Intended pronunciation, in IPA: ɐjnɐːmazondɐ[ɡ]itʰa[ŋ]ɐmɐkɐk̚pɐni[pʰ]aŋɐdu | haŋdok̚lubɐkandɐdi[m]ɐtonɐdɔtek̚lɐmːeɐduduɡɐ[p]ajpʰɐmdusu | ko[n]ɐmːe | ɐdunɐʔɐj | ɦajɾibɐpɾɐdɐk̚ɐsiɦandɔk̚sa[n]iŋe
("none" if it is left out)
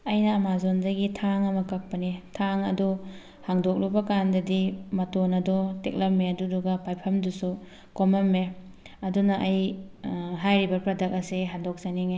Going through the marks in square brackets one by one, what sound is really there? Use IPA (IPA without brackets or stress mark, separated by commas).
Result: ɡ, ŋ, tʰ, m, p, m, n